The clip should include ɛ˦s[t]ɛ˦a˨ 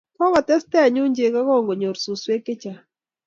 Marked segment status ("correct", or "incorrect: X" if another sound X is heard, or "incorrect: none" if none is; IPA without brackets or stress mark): correct